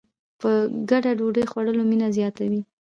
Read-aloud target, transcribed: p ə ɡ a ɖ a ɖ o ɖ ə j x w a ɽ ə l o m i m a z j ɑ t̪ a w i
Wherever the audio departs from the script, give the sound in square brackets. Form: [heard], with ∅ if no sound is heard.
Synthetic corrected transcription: p ə ɡ a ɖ a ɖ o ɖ ə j x w a ɽ ə l o m i [n] a z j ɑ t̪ a w i